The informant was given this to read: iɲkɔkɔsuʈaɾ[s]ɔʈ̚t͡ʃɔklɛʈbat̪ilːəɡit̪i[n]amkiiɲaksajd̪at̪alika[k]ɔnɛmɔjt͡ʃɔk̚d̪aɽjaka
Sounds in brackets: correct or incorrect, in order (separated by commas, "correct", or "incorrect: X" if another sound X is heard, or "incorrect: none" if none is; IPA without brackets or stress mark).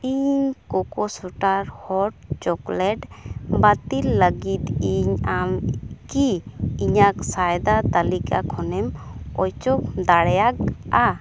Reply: incorrect: h, incorrect: ɲ, incorrect: kʰ